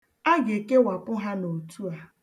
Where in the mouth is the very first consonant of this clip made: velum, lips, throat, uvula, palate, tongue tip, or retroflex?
velum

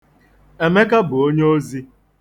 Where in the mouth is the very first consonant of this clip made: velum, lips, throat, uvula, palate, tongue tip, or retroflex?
lips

